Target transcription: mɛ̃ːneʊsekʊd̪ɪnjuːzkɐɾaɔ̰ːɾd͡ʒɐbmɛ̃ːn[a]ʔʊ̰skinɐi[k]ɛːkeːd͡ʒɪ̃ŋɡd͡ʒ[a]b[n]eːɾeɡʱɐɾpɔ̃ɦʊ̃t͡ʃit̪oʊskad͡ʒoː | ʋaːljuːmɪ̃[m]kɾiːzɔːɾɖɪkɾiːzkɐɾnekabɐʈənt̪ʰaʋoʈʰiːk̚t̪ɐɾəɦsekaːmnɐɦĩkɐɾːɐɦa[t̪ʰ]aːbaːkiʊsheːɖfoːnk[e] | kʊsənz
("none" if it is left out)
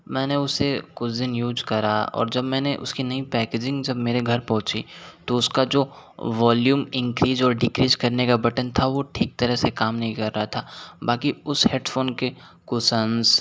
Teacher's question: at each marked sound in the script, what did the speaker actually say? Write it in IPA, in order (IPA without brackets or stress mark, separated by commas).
e, p, ɐ, m, ŋ, t̪ʰ, e